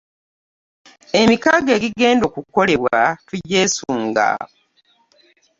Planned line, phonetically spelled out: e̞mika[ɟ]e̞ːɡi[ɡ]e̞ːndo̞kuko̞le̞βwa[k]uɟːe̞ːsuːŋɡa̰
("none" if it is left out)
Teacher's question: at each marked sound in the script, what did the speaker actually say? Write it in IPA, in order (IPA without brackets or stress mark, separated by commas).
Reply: ɡ, ɡ, t